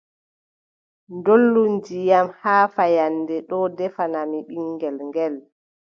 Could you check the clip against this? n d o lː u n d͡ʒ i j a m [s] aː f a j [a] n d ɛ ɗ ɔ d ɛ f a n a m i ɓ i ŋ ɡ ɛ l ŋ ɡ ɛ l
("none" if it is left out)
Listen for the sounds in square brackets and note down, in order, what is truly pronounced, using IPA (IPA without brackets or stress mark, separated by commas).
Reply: h, a